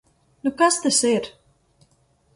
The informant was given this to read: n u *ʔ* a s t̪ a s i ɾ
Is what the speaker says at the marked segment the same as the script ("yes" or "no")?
no